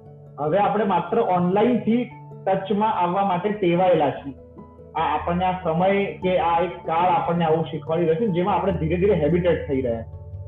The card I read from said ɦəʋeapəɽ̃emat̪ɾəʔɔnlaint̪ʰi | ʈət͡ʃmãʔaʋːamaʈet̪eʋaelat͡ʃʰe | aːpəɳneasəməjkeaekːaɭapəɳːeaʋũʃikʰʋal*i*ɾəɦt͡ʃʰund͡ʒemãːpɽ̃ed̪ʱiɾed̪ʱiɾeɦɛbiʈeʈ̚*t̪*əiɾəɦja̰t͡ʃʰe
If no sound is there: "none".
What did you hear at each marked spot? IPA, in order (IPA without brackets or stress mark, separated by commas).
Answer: i, t̪ʰ